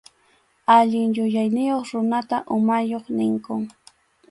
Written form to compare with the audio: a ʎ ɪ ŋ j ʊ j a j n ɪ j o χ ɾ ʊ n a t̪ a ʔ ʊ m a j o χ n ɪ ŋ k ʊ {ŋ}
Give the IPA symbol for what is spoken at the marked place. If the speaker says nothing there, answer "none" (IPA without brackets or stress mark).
ŋ